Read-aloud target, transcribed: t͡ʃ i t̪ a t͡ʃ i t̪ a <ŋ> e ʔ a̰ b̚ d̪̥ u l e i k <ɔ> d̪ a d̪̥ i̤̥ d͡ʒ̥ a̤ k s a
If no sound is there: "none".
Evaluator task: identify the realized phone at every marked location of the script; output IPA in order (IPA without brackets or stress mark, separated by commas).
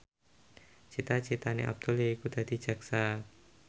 n, u